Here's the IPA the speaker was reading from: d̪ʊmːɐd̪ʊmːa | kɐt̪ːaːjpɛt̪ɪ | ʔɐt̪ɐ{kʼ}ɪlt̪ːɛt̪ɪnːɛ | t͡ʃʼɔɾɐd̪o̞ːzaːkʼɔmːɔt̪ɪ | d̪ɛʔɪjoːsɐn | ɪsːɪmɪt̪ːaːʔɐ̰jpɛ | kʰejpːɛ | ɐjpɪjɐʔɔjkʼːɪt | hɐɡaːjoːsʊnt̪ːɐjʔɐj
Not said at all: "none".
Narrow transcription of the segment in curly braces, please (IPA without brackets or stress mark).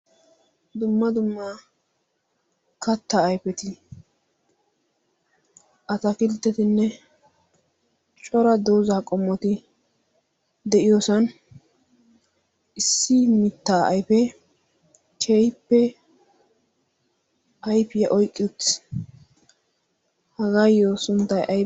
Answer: k